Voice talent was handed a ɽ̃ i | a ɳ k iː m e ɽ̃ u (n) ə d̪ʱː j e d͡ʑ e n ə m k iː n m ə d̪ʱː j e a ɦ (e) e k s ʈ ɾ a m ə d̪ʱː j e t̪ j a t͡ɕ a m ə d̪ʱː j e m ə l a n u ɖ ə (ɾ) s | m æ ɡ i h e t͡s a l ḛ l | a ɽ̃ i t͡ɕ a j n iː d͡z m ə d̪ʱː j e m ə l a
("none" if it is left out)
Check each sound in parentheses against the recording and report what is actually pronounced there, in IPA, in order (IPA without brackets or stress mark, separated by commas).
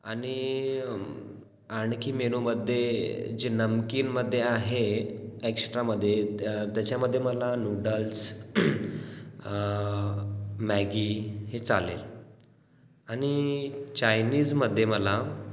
m, e, l